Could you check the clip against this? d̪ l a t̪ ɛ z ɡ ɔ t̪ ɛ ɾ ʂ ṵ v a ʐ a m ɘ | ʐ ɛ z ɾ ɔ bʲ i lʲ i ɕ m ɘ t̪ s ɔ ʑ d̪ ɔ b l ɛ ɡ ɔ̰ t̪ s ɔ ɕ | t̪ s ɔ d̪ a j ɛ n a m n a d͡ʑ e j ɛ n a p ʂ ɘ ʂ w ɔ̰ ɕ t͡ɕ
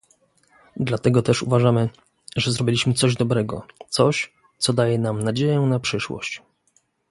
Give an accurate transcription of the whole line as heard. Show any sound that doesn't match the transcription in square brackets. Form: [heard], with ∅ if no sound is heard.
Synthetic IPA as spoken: d̪ l a t̪ ɛ [∅] ɡ ɔ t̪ ɛ [∅] ʂ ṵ v a ʐ a m ɘ | ʐ ɛ z ɾ ɔ bʲ i lʲ i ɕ m ɘ t̪ s ɔ ʑ d̪ ɔ b [ɾ] ɛ ɡ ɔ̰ t̪ s ɔ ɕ | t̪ s ɔ d̪ a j ɛ n a m n a d͡ʑ e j ɛ n a p ʂ ɘ ʂ w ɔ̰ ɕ t͡ɕ

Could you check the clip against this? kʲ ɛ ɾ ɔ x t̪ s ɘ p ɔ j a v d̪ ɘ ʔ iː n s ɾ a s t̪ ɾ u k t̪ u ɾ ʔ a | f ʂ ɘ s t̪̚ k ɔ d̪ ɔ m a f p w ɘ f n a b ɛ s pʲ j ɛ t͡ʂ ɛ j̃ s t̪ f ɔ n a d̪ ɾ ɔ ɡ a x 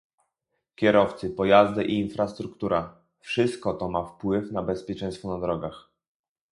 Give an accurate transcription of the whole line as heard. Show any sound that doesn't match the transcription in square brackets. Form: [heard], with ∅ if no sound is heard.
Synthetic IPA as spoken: kʲ ɛ ɾ ɔ [f] t̪ s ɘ p ɔ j a [z] d̪ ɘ ʔ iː n [f] ɾ a s t̪ ɾ u k t̪ u ɾ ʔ a | f ʂ ɘ s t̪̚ k ɔ [t̪] ɔ m a f p w ɘ f n a b ɛ s pʲ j ɛ t͡ʂ ɛ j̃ s t̪ f ɔ n a d̪ ɾ ɔ ɡ a x

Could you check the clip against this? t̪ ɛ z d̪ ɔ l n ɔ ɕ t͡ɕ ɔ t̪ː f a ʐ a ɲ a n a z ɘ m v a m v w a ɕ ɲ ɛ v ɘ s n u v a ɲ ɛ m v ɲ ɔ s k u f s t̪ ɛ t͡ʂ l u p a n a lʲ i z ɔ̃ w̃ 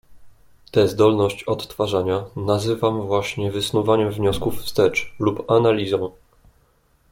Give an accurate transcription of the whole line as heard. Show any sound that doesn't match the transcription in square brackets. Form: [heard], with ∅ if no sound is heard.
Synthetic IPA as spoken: t̪ ɛ z d̪ ɔ l n ɔ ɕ t͡ɕ ɔ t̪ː f a ʐ a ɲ a n a z ɘ [∅] v a m v w a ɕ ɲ ɛ v ɘ s n u v a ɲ ɛ m v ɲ ɔ s k u f s t̪ ɛ t͡ʂ l u p a n a lʲ i z ɔ̃ w̃

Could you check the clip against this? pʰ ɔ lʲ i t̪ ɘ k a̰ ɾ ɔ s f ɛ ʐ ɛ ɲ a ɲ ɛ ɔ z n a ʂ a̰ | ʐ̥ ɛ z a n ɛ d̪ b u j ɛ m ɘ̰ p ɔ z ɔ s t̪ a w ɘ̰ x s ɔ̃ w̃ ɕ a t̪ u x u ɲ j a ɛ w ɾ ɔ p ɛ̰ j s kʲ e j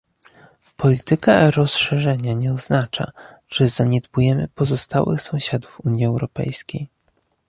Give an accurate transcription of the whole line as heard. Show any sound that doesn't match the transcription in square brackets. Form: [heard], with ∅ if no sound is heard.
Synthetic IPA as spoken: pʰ ɔ lʲ i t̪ ɘ k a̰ ɾ ɔ s [ʂ] ɛ ʐ ɛ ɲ a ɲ ɛ ɔ z n a [t͡ʂ] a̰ | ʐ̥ ɛ z a [ɲ] ɛ d̪ b u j ɛ m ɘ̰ p ɔ z ɔ s t̪ a w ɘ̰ x s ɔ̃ w̃ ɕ a [d̪] u [f] u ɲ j [i] ɛ w ɾ ɔ p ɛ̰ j s kʲ e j

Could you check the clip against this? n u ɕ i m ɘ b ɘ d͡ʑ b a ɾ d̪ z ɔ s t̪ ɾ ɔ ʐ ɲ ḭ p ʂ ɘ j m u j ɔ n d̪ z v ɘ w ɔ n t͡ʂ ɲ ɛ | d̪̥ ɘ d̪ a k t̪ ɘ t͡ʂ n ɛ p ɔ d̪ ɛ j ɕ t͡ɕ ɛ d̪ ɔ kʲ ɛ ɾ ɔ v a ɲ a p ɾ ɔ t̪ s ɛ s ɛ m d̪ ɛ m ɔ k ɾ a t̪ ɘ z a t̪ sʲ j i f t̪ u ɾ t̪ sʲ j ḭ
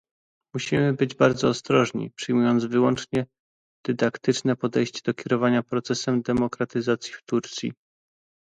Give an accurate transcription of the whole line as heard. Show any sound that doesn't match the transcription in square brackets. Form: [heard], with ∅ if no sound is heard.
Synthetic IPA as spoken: [m] u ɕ i m ɘ b ɘ d͡ʑ b a ɾ d̪ z [ɔː] s t̪ ɾ ɔ ʐ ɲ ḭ p ʂ ɘ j m u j ɔ n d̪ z v ɘ w ɔ n t͡ʂ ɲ ɛ | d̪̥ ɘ d̪ a k t̪ ɘ t͡ʂ n ɛ p ɔ d̪ ɛ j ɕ t͡ɕ ɛ d̪ ɔ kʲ ɛ ɾ ɔ v a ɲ a p ɾ ɔ t̪ s ɛ s ɛ m d̪ ɛ m ɔ k ɾ a t̪ ɘ z a t̪ sʲ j i f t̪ u ɾ t̪ sʲ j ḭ

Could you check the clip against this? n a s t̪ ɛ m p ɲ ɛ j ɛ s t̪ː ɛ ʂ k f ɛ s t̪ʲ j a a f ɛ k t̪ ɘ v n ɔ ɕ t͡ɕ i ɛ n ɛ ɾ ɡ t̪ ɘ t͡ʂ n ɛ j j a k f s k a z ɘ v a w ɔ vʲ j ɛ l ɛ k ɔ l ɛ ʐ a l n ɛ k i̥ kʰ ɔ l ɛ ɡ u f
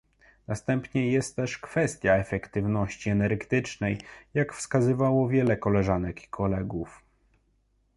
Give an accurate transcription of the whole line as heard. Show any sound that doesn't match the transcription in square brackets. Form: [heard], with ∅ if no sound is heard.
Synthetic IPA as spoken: n a s t̪ ɛ m p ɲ ɛ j ɛ s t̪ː ɛ ʂ k f ɛ s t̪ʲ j a [ɛ] f ɛ k t̪ ɘ v n ɔ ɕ t͡ɕ i ɛ n ɛ ɾ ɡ t̪ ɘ t͡ʂ n ɛ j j a k f s k a z ɘ v a w ɔ vʲ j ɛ l ɛ k ɔ l ɛ ʐ a [∅] n ɛ k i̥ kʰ ɔ l ɛ ɡ u f

